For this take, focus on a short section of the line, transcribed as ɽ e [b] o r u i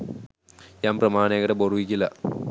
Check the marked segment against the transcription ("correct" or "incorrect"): correct